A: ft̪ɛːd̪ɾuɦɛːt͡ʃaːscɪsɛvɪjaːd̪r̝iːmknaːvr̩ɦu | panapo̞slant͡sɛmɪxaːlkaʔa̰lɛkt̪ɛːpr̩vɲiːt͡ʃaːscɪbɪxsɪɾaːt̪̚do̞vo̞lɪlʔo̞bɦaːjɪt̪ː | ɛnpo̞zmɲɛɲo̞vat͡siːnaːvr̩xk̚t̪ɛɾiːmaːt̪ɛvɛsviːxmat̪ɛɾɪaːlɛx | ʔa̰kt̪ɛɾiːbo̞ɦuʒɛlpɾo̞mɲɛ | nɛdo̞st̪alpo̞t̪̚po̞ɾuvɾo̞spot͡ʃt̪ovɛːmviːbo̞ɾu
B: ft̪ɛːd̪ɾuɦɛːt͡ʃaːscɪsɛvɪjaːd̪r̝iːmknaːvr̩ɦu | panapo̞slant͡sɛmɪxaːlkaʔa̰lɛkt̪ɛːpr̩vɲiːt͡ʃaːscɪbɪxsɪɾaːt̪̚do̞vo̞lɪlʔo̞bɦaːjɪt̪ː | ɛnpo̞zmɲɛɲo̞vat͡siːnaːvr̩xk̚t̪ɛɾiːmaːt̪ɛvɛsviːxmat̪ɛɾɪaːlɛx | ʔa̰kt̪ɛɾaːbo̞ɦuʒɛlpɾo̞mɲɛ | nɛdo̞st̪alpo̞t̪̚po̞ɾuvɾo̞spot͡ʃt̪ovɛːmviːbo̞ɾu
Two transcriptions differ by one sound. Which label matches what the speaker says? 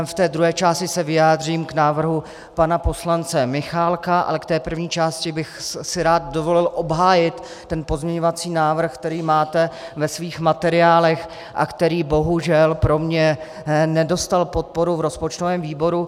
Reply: A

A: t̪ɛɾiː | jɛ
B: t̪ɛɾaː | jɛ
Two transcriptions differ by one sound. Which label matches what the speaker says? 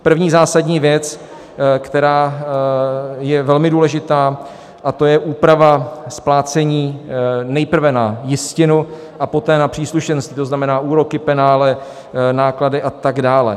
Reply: B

